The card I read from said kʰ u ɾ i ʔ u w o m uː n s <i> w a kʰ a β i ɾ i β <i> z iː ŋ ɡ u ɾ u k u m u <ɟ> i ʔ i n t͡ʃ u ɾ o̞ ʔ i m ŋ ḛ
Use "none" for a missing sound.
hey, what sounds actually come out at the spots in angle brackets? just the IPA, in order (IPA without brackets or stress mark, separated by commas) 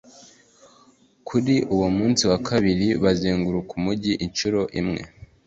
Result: i, a, ɟ